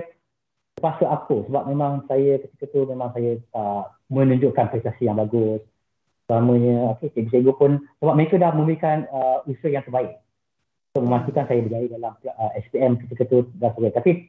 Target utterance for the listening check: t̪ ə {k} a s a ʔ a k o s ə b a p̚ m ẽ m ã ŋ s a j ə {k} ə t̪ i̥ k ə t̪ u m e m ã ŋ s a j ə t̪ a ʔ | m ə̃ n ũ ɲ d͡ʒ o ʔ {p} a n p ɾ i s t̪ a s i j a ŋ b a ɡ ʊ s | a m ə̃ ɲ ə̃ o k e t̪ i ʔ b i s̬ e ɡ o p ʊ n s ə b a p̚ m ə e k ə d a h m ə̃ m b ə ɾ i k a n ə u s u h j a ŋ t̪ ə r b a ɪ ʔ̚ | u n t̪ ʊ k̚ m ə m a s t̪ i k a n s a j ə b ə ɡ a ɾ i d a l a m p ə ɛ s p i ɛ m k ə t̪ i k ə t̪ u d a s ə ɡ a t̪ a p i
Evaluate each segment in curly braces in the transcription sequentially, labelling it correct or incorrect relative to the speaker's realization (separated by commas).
incorrect, correct, incorrect